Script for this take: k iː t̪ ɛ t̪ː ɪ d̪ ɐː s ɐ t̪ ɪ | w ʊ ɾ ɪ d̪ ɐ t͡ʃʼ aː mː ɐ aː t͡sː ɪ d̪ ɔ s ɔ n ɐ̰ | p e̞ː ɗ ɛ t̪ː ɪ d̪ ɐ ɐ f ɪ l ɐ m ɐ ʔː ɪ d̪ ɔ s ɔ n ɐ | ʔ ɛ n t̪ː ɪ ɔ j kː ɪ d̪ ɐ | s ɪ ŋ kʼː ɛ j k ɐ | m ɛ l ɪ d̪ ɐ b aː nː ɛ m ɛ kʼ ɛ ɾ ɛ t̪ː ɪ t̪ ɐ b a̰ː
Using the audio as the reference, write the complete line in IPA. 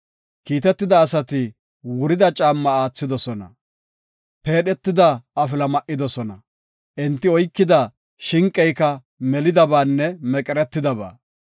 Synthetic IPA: k iː t̪ ɛ t̪ː ɪ d̪ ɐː s ɐ t̪ ɪ | w ʊ ɾ ɪ d̪ ɐ t͡ʃʼ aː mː ɐ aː t͡sː ɪ d̪ ɔ s ɔ n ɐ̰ | p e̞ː ɗ ɛ t̪ː ɪ d̪ ɐ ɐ f ɪ l ɐ m ɐ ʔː ɪ d̪ ɔ s ɔ n ɐ | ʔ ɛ n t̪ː ɪ ɔ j kː ɪ d̪ ɐ | ʃ ɪ ŋ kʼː ɛ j k ɐ | m ɛ l ɪ d̪ ɐ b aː nː ɛ m ɛ kʼ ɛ ɾ ɛ t̪ː ɪ d̪ ɐ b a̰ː